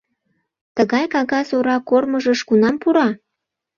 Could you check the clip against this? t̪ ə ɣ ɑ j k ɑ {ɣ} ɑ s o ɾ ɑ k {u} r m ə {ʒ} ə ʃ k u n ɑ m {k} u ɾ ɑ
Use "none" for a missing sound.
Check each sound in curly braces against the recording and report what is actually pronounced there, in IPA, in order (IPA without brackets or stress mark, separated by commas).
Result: ɣ, o, ʒ, p